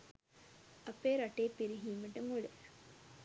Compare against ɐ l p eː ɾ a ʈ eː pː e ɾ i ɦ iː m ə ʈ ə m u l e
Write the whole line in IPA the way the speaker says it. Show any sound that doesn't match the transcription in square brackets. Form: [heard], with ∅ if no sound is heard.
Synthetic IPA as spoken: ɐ [∅] p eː ɾ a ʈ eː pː [i] ɾ i ɦ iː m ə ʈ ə m u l e